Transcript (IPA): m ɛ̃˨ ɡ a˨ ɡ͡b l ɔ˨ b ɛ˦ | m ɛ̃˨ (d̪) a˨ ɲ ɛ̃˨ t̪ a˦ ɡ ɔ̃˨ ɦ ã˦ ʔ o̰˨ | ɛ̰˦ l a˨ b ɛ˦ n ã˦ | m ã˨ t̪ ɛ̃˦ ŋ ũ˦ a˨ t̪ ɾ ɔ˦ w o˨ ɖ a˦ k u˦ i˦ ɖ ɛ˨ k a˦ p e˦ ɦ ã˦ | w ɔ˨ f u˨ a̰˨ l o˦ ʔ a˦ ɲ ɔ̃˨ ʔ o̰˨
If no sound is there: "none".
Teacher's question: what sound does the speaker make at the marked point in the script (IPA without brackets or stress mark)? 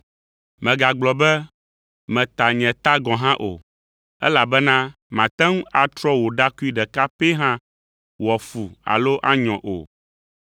t̪